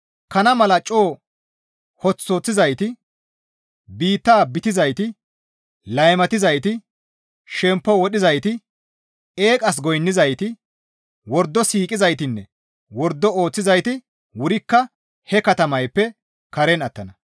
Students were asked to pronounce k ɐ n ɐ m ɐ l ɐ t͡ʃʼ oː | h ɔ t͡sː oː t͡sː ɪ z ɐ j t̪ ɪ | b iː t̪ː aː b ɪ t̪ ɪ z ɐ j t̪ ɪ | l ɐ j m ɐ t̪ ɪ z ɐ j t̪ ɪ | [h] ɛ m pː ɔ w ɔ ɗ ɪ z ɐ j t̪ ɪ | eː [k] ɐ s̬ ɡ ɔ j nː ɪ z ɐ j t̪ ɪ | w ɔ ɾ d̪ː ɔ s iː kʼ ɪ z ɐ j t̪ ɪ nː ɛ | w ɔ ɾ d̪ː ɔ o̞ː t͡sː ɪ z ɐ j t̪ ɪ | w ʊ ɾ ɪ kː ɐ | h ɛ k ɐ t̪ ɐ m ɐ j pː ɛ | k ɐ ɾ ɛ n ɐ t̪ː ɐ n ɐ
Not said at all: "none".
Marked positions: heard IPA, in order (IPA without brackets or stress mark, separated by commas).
ʃ, kʼ